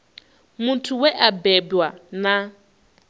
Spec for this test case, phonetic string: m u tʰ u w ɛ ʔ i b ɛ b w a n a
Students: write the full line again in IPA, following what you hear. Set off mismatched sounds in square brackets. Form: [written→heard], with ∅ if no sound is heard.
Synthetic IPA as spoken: m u tʰ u w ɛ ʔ [i→a] b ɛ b w a n a